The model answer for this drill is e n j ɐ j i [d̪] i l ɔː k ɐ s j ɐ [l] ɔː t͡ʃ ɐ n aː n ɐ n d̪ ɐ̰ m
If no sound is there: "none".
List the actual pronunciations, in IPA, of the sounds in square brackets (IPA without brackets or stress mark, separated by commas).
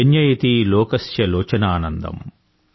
t̪, l